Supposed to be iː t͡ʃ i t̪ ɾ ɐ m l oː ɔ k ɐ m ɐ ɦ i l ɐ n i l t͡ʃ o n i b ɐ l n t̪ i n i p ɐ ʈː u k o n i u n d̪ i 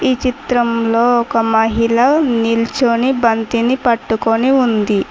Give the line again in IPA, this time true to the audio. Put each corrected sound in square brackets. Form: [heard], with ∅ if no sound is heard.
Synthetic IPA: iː t͡ʃ i t̪ ɾ ɐ m l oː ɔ k ɐ m ɐ ɦ i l ɐ n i l t͡ʃ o n i b ɐ [∅] n t̪ i n i p ɐ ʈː u k o n i u n d̪ i